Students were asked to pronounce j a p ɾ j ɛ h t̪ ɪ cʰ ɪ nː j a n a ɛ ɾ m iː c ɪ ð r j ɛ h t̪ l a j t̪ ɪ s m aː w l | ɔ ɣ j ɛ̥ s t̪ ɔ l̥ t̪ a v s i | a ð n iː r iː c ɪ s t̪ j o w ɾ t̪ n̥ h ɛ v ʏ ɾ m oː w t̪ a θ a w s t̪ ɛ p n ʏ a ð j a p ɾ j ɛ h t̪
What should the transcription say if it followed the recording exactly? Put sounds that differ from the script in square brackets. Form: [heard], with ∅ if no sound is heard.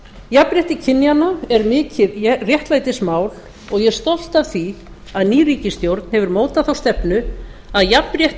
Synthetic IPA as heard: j a p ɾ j ɛ h t̪ ɪ cʰ ɪ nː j a n a ɛ ɾ m [ɪː] c ɪ ð r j ɛ h t̪ l a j t̪ ɪ s m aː w l | ɔ ɣ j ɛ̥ s t̪ ɔ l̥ t̪ a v [θ] i | a ð n iː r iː c ɪ s t̪ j o w ɾ t̪ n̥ h ɛ v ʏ ɾ m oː w t̪ a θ a w s t̪ ɛ p n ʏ a ð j a p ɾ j ɛ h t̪

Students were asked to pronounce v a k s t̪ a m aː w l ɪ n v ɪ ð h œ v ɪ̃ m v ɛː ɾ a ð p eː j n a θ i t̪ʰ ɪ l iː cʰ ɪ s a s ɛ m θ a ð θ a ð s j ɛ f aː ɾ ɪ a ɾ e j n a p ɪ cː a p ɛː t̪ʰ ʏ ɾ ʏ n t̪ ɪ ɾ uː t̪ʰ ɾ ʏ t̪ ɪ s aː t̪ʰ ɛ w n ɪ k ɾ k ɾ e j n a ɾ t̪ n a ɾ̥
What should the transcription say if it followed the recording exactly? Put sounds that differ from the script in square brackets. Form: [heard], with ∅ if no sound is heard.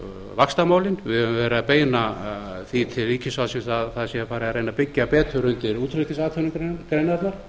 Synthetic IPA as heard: v a k s t̪ a m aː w l ɪ n v ɪ ð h œ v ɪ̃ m v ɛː ɾ a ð p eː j n a θ i t̪ʰ ɪ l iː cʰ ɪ s a s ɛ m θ a ð θ a ð s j ɛ f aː ɾ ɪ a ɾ e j n a p ɪ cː a p ɛː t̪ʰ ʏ ɾ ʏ n t̪ ɪ ɾ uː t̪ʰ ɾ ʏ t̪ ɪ s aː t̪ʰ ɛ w n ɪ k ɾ k ɾ e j n a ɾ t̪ n a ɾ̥

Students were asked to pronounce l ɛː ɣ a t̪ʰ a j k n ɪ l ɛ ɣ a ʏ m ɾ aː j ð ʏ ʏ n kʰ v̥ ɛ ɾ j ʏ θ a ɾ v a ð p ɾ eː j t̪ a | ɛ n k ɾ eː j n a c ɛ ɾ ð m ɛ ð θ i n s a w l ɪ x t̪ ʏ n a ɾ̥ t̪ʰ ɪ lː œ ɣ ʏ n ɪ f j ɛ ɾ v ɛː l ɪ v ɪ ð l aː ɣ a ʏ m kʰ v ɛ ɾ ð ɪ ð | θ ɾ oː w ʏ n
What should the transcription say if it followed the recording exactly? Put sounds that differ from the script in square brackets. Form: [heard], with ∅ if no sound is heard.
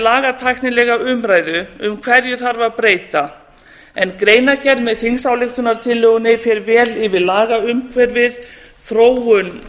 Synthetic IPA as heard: l [aː] ɣ a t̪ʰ a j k n ɪ l ɛ ɣ a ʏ m ɾ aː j ð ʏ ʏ [m] kʰ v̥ ɛ ɾ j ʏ θ a ɾ v a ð p ɾ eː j t̪ a | ɛ n k ɾ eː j n a c ɛ ɾ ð m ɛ ð θ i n s a w l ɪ x t̪ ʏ n a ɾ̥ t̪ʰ ɪ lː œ ɣ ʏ n ɪ f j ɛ ɾ v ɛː l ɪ v ɪ ð l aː ɣ a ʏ m kʰ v ɛ ɾ [v] ɪ ð | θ ɾ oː w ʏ n

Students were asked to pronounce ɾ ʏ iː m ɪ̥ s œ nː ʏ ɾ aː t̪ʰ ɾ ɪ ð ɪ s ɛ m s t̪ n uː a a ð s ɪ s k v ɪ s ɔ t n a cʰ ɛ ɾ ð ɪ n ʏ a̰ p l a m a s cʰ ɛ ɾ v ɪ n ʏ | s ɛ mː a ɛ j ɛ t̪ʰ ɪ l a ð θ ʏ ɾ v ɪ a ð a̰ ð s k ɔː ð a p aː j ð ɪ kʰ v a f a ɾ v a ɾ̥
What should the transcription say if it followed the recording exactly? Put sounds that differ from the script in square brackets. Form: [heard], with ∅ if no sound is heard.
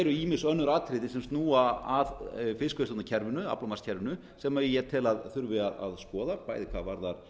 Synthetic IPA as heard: ɾ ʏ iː m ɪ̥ s œ nː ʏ ɾ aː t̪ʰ ɾ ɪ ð ɪ s ɛ m s t̪ n uː a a ð [f] ɪ s k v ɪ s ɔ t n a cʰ ɛ ɾ [v] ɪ n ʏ a̰ p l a m a s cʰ ɛ ɾ v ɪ n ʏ | s ɛ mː a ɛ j ɛ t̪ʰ ɪ l a ð θ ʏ ɾ v ɪ a ð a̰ ð s k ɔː ð a p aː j ð ɪ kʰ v a [v] a ɾ [ð] a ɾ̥

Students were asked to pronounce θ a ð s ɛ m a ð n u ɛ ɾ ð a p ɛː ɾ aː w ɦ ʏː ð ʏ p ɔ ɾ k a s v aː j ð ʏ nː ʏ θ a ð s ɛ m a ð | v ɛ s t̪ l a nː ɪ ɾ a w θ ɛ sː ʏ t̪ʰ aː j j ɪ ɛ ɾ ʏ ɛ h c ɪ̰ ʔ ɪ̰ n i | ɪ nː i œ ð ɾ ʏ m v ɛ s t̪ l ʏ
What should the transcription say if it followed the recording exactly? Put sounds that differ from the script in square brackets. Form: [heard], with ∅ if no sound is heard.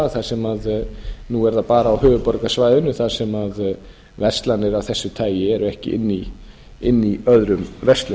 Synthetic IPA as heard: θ a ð s ɛ m a ð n u ɛ ɾ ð a p [aː] ɾ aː w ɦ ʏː [v] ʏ p ɔ ɾ k a s v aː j ð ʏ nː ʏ θ a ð s ɛ m a ð | v ɛ s t̪ l a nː ɪ ɾ a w θ ɛ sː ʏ t̪ʰ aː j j ɪ ɛ ɾ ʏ ɛ h c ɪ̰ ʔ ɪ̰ [nː] i | ɪ nː i œ ð ɾ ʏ m v ɛ s t̪ l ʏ

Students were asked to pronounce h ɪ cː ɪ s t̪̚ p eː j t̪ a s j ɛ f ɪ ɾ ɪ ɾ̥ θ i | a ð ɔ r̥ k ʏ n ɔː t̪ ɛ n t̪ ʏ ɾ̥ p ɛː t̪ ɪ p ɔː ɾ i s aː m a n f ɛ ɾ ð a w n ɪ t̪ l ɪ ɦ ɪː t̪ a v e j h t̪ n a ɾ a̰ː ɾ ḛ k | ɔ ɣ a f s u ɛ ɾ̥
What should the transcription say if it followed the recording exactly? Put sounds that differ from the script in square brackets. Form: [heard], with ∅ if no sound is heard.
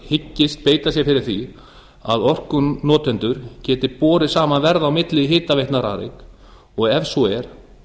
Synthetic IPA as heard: h ɪ cː ɪ s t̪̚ p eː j t̪ a s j ɛ f ɪ ɾ ɪ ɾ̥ θ i | a ð ɔ r̥ k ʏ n ɔː t̪ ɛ n t̪ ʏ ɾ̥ [c] ɛː t̪ ɪ p ɔː ɾ [ɪ] s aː m a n [v] ɛ ɾ ð a w [m] ɪ t̪ l ɪ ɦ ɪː t̪ a v e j h t̪ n a ɾ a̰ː ɾ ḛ k | ɔ ɣ [ɛ] f s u ɛ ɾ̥

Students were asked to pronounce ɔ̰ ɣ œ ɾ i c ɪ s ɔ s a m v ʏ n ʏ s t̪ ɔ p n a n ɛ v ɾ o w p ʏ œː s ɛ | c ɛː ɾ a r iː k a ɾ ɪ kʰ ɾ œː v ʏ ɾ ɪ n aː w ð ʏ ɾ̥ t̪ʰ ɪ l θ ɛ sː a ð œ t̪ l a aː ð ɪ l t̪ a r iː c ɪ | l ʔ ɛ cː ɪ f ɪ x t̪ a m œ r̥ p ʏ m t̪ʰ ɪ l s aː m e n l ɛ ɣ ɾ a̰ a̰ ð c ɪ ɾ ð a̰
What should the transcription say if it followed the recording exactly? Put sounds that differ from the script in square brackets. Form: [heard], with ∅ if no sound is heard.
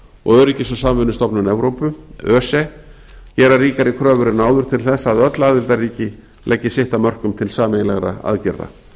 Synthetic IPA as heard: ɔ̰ ɣ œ ɾ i c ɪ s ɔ s a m v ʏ n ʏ s t̪ ɔ p n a n ɛ v ɾ o w p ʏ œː s ɛ | c ɛː ɾ a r iː k a ɾ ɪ kʰ ɾ œː v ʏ ɾ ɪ n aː w ð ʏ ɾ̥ t̪ʰ ɪ l θ ɛ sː a ð œ t̪ l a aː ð ɪ l t̪ a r iː c ɪ | l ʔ ɛ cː ɪ [s] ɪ [h] t̪ a m œ r̥ [k] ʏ m t̪ʰ ɪ l s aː m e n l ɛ ɣ ɾ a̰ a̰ ð c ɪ ɾ ð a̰

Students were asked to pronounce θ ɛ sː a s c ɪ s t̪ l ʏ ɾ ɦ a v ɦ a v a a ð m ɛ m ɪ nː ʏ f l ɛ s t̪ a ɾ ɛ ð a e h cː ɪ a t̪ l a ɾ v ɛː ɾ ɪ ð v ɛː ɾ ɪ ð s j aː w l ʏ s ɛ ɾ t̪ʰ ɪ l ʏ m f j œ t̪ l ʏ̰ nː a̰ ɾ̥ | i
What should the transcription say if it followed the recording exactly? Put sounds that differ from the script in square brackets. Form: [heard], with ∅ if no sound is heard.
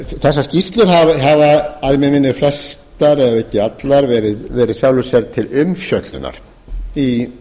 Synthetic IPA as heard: θ ɛ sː a s c [i] s t̪ l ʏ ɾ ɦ a v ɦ a v a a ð m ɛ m ɪ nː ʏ f l ɛ s t̪ a ɾ ɛ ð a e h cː ɪ a t̪ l a ɾ v ɛː ɾ ɪ ð v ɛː ɾ ɪ ð s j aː w l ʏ s ɛ ɾ t̪ʰ ɪ l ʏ m f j œ t̪ l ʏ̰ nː a̰ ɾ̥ | i

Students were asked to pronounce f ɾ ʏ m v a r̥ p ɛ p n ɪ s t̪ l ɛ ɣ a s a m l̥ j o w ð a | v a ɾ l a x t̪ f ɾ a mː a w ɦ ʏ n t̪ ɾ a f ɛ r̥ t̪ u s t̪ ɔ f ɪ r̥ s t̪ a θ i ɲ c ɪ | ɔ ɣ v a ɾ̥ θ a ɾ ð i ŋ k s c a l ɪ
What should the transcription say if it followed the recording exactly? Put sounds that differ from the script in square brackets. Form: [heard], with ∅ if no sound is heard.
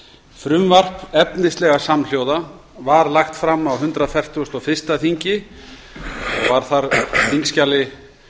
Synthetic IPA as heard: f ɾ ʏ m v a r̥ p ɛ p n ɪ s t̪ l ɛ ɣ a s a m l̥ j o w ð a | v a ɾ l a x t̪ f ɾ a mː a w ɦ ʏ n t̪ ɾ a f ɛ r̥ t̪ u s t̪ ɔ f ɪ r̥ s t̪ a θ i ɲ c ɪ | ɔ ɣ v a ɾ̥ θ a ɾ [θ] i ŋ k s c a l ɪ

